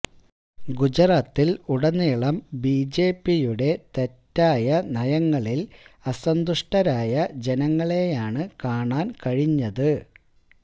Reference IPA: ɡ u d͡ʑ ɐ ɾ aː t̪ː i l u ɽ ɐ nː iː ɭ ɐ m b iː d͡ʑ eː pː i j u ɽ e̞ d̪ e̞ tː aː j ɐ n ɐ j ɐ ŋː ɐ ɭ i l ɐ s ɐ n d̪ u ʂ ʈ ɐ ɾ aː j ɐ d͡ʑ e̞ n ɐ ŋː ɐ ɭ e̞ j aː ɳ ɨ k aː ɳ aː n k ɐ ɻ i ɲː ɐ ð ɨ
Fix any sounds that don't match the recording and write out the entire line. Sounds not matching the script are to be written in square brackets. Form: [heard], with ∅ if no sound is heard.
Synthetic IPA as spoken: ɡ u d͡ʑ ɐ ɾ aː t̪ː i l u ɽ ɐ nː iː ɭ ɐ m b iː d͡ʑ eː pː i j u ɽ e̞ [t̪] e̞ tː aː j ɐ n ɐ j ɐ ŋː ɐ ɭ i l ɐ s ɐ n d̪ u ʂ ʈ ɐ ɾ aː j ɐ d͡ʑ e̞ n ɐ ŋː ɐ ɭ e̞ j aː ɳ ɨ k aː ɳ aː n k ɐ ɻ i ɲː ɐ ð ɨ